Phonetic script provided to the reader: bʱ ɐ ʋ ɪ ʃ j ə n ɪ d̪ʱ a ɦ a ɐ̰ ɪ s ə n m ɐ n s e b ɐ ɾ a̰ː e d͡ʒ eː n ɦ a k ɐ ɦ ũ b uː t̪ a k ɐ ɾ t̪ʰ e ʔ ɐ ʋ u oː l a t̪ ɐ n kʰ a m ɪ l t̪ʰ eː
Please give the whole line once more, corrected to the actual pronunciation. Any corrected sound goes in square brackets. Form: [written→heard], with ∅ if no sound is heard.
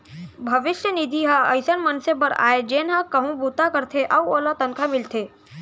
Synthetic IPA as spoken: bʱ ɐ ʋ ɪ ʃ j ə n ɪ d̪ʱ [a→i] ɦ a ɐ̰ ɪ s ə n m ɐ n s e b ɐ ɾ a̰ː e d͡ʒ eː n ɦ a k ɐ ɦ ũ b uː t̪ a k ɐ ɾ t̪ʰ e ʔ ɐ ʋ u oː l a t̪ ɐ n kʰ a m ɪ l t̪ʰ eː

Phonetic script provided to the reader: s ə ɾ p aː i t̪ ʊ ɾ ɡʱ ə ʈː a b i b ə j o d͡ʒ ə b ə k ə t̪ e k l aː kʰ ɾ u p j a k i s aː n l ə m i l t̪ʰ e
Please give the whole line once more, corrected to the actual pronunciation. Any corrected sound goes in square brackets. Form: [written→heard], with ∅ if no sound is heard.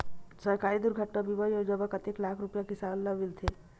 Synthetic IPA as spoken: s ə ɾ [p→k] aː i [t̪→d̪] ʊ ɾ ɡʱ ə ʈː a b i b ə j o d͡ʒ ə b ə k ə t̪ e k l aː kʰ ɾ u p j a k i s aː n l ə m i l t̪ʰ e

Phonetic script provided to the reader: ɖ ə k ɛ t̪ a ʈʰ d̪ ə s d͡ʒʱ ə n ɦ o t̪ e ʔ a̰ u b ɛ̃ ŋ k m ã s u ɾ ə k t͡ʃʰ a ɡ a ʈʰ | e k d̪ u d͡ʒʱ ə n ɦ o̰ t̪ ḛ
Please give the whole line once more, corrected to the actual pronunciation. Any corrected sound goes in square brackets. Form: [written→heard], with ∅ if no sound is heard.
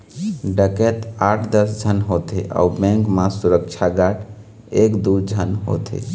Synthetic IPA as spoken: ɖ ə k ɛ t̪ a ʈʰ d̪ ə s d͡ʒʱ ə n ɦ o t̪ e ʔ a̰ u b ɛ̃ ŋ k m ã s u ɾ ə k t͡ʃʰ a ɡ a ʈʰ | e k d̪ u d͡ʒʱ ə n ɦ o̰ t̪ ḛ

